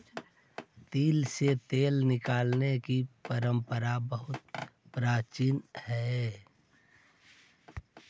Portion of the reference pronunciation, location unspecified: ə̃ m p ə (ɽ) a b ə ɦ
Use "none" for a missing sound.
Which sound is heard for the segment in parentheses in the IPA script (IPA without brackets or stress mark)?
ɾ